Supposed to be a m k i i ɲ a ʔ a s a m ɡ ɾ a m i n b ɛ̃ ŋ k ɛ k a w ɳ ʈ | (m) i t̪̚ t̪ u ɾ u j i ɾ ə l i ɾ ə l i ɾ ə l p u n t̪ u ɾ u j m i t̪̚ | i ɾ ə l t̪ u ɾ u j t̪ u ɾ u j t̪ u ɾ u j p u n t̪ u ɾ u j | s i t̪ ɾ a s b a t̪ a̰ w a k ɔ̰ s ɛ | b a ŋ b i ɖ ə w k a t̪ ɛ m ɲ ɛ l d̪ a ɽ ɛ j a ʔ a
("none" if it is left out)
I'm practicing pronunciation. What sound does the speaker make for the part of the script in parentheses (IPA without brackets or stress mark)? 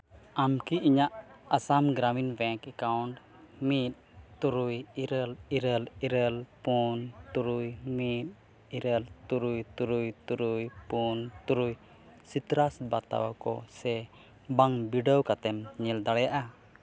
m